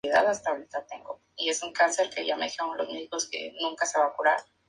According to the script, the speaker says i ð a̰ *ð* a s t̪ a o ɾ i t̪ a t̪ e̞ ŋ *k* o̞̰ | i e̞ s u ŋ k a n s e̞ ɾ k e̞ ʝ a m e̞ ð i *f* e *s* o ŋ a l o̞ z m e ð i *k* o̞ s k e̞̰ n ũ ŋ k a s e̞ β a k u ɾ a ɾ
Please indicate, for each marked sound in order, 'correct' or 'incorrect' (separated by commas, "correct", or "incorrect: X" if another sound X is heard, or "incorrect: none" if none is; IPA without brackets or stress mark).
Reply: correct, incorrect: ɡ, incorrect: x, incorrect: none, correct